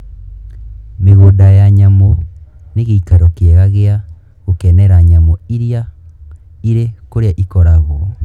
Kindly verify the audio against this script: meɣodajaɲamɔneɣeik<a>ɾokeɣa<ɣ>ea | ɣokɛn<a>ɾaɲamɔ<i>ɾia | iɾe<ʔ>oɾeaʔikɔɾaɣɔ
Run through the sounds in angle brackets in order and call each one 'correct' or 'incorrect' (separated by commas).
correct, correct, incorrect, correct, incorrect